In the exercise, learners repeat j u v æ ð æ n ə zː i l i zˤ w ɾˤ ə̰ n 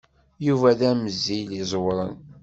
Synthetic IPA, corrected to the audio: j u v æ ð æ m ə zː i l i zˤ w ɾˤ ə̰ n